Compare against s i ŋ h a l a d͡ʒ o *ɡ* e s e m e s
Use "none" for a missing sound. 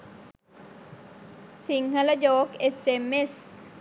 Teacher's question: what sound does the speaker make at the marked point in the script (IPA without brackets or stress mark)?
k